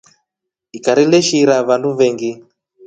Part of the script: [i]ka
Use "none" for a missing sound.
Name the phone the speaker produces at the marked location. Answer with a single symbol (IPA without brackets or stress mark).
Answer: i